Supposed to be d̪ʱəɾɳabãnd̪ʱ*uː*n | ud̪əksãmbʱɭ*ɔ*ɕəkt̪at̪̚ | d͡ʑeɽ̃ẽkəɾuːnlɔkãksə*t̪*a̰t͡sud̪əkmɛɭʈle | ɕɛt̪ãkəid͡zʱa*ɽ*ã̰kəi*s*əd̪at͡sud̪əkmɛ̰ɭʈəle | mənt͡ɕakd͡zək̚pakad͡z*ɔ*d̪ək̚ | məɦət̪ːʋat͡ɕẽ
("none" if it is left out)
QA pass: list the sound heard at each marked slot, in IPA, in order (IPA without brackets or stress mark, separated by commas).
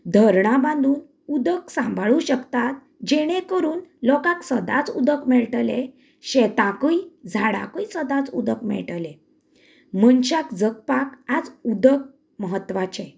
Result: uː, u, d̪, ɽ, s, u